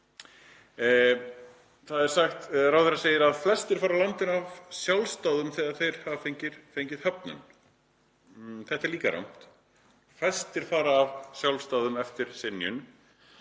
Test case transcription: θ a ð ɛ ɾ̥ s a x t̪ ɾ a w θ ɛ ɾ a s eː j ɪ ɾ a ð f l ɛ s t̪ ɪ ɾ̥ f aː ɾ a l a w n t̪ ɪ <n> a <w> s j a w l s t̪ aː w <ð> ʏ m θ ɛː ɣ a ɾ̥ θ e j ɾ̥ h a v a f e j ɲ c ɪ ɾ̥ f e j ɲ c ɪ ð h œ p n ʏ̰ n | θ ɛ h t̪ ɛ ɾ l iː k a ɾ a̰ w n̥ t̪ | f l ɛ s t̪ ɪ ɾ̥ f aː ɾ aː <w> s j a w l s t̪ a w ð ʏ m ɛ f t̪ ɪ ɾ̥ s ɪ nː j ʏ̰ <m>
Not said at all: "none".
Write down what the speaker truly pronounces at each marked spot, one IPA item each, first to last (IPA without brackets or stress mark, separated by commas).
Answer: n, v, ð, v, n